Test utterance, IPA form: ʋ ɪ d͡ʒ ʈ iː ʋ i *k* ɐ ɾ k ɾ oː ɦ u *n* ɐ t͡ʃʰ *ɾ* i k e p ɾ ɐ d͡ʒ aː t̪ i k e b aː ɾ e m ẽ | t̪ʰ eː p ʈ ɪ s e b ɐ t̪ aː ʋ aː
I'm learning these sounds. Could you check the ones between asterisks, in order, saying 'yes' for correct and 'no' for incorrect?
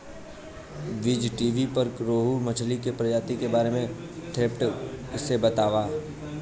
no, no, no

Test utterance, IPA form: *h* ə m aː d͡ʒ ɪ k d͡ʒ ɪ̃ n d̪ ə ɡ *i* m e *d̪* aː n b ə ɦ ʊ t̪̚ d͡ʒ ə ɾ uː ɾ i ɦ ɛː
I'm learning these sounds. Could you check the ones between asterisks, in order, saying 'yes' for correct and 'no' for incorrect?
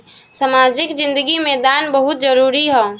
no, yes, yes

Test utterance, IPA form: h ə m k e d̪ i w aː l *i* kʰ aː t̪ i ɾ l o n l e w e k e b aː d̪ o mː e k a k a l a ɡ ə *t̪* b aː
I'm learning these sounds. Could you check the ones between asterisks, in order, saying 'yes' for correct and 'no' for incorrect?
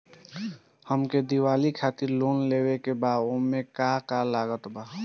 yes, yes

